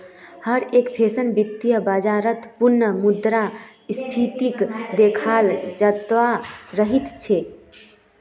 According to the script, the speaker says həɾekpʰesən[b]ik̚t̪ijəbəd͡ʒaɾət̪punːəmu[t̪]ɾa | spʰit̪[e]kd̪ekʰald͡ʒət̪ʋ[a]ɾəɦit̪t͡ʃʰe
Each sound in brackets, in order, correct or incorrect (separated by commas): correct, incorrect, incorrect, correct